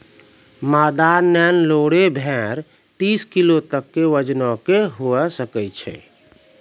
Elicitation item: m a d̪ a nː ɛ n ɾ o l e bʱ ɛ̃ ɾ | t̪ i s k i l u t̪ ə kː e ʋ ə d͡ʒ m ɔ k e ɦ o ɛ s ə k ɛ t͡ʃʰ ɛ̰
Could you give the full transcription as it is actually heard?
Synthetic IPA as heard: m a d̪ a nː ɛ n l o ɽ e bʱ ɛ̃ ɾ | t̪ i s k i l o t̪ ə kː e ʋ ə d͡ʒ n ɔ k e ɦ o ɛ s ə k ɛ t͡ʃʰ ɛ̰